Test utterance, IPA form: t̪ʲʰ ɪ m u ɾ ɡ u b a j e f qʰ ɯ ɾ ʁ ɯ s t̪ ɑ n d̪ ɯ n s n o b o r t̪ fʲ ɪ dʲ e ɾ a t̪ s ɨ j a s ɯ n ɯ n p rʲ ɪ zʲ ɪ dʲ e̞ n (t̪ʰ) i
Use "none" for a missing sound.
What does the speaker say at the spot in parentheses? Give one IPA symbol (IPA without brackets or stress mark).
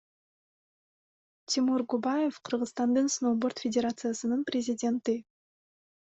t̪